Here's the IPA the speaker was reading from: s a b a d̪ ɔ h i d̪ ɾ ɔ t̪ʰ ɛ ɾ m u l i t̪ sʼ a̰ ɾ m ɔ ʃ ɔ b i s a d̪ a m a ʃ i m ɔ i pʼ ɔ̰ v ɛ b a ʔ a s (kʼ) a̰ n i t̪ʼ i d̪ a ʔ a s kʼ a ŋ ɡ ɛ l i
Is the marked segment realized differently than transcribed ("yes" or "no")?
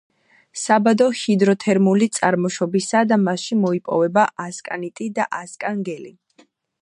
no